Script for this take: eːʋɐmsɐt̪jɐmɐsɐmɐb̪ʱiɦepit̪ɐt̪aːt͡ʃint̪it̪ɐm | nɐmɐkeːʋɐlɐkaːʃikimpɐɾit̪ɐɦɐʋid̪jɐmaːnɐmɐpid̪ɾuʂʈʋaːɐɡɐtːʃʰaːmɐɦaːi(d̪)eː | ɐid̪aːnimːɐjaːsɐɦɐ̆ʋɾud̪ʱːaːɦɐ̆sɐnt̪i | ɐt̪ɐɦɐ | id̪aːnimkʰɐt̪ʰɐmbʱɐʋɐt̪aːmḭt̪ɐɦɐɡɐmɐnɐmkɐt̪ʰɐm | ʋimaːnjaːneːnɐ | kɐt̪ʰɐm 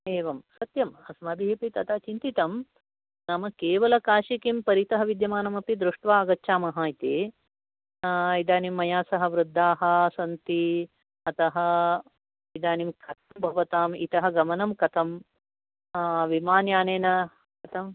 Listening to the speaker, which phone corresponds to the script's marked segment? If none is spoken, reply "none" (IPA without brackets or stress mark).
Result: t̪